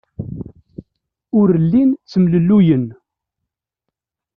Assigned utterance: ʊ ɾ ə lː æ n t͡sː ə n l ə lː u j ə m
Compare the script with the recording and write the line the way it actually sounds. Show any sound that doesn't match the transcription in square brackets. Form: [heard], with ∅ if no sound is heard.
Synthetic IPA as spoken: ʊ ɾ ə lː [i] n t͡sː ə [m] l ə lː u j ə [n]